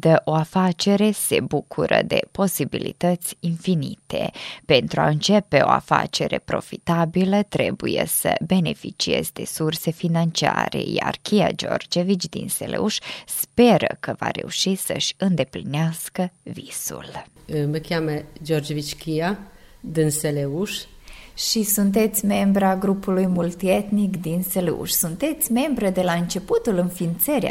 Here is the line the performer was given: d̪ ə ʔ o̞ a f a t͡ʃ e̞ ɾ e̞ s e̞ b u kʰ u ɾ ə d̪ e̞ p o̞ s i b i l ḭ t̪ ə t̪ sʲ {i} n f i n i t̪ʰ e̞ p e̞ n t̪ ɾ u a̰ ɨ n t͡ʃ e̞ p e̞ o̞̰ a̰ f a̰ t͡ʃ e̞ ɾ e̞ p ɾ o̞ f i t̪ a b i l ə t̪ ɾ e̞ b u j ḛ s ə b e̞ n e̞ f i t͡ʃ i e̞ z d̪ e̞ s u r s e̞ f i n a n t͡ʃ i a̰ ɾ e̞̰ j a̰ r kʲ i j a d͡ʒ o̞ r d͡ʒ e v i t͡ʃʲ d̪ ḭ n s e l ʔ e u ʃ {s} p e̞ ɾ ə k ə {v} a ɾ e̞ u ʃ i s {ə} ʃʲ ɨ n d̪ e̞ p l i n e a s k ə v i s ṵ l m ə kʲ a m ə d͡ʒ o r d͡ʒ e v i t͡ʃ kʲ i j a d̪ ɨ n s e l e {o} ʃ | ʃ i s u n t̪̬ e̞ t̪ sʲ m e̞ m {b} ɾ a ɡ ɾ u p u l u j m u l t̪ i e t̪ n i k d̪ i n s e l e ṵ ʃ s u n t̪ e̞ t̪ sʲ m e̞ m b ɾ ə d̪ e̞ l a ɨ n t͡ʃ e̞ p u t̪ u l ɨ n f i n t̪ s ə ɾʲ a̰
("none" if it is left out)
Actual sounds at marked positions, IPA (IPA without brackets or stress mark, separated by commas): i, s, v, ə, u, b